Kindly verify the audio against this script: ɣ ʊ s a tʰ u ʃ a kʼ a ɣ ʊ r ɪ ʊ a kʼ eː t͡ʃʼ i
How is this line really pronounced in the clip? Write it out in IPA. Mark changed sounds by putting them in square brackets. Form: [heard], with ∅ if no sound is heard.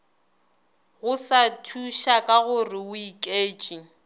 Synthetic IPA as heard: ɣ ʊ s a tʰ u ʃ a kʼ a ɣ ʊ r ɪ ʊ [i] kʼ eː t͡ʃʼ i